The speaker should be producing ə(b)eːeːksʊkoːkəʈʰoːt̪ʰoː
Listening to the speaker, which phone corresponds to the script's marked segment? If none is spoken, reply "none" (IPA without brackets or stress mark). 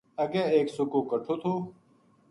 ɡ